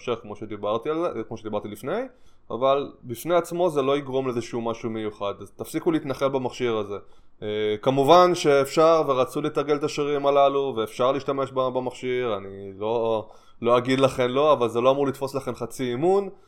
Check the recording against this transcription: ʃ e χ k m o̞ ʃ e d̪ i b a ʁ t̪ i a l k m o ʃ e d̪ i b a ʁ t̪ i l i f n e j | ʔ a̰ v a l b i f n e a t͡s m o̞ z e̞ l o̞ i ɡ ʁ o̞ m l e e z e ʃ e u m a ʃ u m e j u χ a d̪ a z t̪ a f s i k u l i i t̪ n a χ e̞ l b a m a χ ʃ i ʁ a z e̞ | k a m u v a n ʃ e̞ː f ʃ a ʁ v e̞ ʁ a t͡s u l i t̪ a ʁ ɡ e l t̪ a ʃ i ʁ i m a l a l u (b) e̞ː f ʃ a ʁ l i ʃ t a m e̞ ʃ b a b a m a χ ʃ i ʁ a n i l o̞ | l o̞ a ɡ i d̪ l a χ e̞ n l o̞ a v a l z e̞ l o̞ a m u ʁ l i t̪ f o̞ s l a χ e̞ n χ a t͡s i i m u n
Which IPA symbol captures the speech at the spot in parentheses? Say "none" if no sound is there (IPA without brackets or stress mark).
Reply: v